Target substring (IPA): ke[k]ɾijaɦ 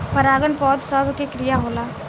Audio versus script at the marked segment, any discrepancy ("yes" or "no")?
no